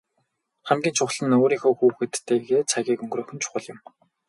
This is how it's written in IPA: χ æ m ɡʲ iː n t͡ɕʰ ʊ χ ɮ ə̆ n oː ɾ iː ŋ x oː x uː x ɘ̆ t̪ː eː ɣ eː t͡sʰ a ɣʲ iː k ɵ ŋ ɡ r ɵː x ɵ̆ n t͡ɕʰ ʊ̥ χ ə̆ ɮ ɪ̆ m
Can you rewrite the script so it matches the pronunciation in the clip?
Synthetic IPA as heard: χ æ m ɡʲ iː n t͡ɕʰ ʊ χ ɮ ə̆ n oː ɾ iː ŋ x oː x uː x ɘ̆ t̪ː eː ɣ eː t͡sʰ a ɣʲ iː k ɵ ŋ ɡ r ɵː x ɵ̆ n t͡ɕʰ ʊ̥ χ ə̆ ɮ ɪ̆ m